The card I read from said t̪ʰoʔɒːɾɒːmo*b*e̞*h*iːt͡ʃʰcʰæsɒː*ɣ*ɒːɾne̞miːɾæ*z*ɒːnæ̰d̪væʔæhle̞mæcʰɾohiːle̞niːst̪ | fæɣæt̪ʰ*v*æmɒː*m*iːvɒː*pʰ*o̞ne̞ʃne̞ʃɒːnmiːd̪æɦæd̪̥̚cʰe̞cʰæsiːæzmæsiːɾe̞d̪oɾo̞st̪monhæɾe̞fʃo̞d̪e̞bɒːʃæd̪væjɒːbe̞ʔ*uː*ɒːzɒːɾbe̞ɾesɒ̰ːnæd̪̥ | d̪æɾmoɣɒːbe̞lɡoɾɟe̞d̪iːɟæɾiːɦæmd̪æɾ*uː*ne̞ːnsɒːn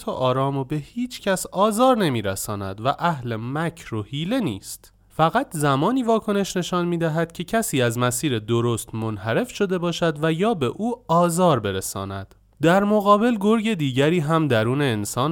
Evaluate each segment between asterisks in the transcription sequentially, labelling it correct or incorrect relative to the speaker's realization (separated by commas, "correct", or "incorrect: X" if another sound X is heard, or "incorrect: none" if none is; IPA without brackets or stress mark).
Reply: correct, correct, incorrect: z, incorrect: s, incorrect: z, incorrect: n, incorrect: kʰ, correct, correct